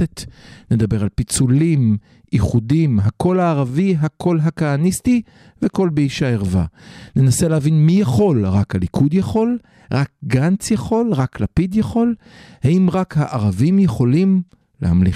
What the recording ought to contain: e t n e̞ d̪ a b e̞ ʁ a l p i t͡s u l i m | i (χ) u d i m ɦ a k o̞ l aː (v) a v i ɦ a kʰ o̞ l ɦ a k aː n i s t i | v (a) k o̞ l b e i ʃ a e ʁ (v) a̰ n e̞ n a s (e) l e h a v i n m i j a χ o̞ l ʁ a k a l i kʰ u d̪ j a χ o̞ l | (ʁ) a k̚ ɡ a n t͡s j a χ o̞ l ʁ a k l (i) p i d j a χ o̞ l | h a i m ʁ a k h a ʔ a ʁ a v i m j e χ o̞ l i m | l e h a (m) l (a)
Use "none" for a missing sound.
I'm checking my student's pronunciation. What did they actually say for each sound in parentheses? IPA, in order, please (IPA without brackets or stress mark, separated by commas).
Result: χ, ʁ, e, v, e, ʁ, a, m, i